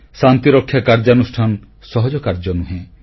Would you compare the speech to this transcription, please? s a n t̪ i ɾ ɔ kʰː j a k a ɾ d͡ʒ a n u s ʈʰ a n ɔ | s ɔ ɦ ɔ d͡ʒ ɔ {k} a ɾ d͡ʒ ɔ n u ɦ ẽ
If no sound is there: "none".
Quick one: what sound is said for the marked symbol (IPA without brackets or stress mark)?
k